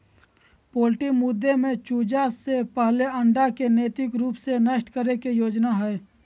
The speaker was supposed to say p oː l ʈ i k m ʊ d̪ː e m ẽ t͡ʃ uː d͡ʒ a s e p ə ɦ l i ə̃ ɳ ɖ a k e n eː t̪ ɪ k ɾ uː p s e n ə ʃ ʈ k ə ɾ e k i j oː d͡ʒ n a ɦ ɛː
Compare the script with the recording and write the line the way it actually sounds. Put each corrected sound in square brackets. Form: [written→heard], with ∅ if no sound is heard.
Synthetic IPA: p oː l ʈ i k m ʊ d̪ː e m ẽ t͡ʃ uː d͡ʒ a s e p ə ɦ l [i→e] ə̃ ɳ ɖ a k e n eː t̪ ɪ k ɾ uː p s e n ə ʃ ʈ k ə ɾ e k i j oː d͡ʒ n a ɦ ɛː